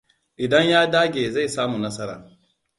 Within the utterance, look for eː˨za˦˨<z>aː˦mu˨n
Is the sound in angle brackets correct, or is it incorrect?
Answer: incorrect